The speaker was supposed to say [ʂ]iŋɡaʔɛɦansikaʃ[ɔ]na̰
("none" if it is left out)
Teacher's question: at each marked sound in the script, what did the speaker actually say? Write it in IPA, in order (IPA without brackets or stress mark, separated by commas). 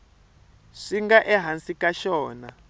ʂ, ɔː